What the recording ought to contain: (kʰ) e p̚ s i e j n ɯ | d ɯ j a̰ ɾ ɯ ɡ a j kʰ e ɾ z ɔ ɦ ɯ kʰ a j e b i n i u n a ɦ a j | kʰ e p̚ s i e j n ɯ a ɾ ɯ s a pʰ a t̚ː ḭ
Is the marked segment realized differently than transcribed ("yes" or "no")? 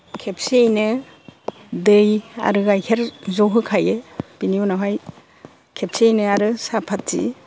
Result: no